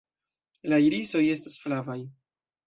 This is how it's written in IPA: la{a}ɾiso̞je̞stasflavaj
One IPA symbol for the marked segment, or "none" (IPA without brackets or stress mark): i